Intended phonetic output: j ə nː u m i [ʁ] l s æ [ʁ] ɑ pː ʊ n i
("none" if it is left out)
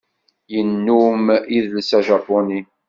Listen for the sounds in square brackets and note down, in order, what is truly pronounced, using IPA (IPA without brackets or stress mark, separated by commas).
ð, ʒ